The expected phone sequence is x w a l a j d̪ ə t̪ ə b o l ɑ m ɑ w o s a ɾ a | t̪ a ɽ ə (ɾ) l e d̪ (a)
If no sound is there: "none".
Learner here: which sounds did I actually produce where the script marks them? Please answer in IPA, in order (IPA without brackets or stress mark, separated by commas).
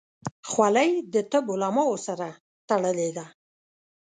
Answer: none, a